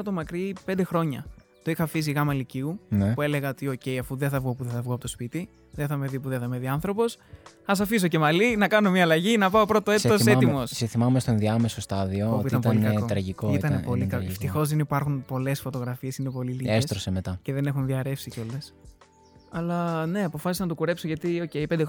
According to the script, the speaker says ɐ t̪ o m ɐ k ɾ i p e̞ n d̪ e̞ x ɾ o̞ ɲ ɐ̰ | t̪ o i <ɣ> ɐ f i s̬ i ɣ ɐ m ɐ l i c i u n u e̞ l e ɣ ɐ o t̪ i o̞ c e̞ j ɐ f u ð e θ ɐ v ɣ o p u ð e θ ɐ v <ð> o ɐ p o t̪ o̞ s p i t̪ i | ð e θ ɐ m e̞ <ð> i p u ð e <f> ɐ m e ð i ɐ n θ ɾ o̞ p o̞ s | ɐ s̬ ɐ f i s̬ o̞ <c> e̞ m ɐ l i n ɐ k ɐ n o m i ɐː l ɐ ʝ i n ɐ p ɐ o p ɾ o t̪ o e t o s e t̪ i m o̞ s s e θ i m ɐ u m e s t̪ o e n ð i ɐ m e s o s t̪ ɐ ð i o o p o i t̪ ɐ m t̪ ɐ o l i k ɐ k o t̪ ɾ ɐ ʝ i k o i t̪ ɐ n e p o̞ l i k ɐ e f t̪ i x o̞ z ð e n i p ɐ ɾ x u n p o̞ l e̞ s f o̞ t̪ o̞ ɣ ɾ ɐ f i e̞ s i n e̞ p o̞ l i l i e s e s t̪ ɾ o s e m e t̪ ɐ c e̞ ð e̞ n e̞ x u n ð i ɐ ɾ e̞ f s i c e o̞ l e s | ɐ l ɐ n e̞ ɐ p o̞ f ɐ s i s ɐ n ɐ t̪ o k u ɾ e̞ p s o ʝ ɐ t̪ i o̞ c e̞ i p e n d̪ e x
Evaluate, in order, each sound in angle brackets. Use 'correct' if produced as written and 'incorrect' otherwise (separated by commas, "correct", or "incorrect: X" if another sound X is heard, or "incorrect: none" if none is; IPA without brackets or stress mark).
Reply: incorrect: x, incorrect: ɣ, correct, incorrect: θ, correct